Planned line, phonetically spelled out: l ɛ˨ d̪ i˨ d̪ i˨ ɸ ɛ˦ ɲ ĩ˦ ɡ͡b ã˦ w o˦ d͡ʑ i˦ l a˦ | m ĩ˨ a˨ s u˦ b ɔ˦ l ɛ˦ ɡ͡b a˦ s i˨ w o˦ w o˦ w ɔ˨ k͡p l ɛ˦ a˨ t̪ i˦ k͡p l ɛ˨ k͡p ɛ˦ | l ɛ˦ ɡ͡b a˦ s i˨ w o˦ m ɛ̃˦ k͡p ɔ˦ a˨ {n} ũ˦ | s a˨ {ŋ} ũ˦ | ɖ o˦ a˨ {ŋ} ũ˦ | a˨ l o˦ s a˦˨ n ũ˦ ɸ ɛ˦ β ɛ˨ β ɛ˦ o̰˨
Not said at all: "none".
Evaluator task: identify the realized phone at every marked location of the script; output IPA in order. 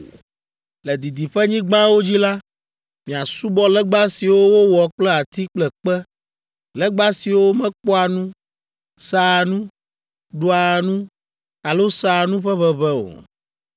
n, n, n

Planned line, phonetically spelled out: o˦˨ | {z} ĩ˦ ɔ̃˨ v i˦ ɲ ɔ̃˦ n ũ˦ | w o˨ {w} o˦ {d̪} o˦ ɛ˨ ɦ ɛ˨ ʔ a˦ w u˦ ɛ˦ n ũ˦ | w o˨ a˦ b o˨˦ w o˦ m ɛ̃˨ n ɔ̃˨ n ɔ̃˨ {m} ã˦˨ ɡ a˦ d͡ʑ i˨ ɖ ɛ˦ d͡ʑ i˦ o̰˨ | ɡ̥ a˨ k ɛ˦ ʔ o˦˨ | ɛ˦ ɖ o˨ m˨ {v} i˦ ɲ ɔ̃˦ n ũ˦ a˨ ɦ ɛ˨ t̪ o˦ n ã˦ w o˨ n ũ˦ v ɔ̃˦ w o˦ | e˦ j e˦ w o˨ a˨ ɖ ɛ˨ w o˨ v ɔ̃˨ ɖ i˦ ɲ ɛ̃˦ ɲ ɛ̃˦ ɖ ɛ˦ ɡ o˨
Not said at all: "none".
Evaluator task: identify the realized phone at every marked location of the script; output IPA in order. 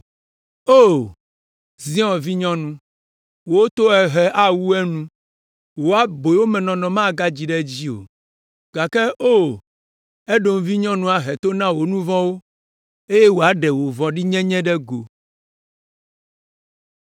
z, w, t̪, m, v

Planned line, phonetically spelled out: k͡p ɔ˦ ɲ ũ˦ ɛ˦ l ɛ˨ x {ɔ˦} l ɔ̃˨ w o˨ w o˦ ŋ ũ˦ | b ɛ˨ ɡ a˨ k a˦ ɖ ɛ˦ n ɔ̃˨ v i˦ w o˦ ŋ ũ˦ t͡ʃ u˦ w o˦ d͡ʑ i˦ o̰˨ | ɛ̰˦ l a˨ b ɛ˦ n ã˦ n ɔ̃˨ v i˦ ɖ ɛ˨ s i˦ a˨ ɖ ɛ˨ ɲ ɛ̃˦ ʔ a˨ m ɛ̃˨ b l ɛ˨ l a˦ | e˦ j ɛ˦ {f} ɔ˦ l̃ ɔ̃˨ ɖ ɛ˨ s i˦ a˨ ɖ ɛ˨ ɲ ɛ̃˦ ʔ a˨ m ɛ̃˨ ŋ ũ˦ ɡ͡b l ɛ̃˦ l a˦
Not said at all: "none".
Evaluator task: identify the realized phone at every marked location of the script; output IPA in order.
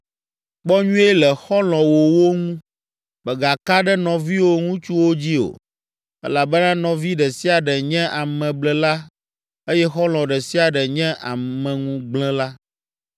ɔ˦, x

